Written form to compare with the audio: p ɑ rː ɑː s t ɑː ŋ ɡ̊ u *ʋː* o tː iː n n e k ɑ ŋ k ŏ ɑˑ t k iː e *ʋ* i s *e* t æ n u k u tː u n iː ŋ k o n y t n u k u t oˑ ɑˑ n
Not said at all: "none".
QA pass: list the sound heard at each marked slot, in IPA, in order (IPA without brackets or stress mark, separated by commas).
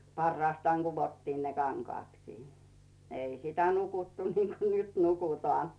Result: ʋ, none, i